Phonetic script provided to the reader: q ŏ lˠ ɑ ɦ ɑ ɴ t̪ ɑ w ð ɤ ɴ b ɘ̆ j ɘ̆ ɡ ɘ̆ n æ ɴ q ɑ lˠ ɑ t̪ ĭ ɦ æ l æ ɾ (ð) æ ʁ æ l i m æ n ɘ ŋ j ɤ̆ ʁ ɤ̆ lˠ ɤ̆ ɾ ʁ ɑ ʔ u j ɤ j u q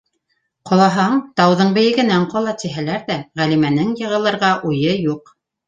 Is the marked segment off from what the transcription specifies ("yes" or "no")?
no